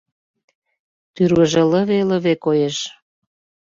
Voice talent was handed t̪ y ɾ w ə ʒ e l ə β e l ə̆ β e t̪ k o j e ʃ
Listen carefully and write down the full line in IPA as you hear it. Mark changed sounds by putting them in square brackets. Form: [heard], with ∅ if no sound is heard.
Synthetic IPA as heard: t̪ y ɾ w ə ʒ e l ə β e l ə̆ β e [∅] k o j e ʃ